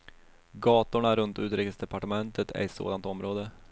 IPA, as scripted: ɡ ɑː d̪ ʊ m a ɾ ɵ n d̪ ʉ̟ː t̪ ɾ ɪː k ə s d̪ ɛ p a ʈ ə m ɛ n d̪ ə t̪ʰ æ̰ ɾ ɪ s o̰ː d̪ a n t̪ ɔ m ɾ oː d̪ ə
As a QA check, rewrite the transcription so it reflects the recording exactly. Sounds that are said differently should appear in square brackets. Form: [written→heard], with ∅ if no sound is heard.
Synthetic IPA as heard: ɡ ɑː [d̪→t̪] ʊ [m→ɳ] a ɾ ɵ n [d̪→t̪] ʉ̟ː t̪ ɾ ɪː k ə s d̪ ɛ p a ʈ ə m ɛ n [d̪→t̪] ə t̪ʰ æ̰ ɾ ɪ s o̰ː d̪ a n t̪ ɔ m ɾ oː d̪ ə